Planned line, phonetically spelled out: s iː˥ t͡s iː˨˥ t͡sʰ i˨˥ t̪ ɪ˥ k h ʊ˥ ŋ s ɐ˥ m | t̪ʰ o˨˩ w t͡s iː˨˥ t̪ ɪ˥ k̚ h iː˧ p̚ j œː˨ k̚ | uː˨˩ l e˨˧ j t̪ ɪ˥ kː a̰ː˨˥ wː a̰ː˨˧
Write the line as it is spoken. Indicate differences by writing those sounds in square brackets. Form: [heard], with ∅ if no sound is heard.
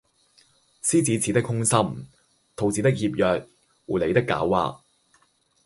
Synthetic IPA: s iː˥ t͡s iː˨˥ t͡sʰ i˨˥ t̪ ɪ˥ k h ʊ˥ ŋ s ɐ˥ m | t̪ʰ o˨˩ w t͡s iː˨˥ t̪ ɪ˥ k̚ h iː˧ p̚ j œː˨ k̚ | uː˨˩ l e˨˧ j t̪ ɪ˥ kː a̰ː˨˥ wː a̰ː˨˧

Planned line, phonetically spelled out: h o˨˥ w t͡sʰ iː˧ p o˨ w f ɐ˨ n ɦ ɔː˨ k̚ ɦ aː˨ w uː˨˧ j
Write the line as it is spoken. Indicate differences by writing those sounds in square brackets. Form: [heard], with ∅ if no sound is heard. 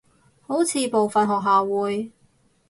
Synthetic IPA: h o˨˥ w t͡sʰ iː˧ p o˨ w f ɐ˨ n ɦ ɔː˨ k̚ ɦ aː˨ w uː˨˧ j

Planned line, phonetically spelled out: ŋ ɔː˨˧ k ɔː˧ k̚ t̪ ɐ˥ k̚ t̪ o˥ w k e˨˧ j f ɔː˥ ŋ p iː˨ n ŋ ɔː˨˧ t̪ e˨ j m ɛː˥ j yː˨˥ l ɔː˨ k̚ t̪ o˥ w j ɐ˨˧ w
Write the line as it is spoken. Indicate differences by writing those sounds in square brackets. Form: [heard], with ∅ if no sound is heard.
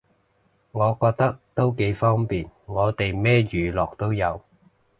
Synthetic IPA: ŋ ɔː˨˧ k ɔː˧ k̚ t̪ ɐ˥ k̚ t̪ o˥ w k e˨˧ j f ɔː˥ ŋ p iː˨ n ŋ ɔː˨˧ t̪ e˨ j m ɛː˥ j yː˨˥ l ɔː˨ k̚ t̪ o˥ w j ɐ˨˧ w

